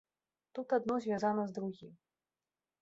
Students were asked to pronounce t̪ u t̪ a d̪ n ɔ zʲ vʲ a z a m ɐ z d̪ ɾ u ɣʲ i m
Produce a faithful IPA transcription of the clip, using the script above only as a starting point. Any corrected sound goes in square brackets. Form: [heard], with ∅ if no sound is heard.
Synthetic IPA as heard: t̪ u t̪ a d̪ n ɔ zʲ vʲ a z a [n] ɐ z d̪ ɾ u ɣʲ i m